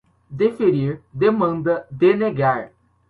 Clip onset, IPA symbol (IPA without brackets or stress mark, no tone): d̪